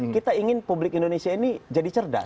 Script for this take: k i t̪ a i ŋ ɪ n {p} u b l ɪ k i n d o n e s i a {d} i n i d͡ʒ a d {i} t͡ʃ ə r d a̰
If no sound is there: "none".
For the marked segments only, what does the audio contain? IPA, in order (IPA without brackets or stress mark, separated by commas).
p, none, i